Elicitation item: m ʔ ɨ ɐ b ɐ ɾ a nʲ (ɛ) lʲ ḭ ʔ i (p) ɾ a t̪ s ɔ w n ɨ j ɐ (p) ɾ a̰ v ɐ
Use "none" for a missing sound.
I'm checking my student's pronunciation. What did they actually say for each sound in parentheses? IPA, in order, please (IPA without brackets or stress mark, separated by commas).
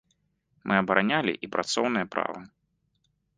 a, p, p